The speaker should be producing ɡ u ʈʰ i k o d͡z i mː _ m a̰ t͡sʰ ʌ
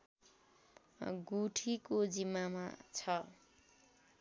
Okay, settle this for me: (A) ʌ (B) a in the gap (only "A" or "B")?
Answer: B